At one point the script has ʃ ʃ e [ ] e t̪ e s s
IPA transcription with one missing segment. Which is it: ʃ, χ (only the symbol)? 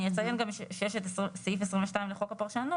ʃ